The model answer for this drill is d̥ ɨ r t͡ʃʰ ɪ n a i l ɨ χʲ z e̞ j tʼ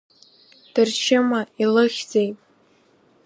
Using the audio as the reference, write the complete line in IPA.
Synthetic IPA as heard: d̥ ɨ r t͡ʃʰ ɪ m a i l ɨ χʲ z e̞ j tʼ